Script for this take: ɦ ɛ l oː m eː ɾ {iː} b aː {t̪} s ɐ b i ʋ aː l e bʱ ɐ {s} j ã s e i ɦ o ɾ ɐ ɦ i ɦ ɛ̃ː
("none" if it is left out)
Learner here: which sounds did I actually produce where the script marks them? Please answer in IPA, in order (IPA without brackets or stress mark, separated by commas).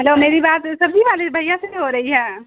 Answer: i, t̪, none